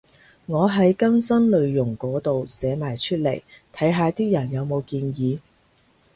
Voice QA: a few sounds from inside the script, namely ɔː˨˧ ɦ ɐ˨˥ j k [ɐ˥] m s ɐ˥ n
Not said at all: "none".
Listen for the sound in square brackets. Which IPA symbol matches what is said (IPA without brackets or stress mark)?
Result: ɐ˥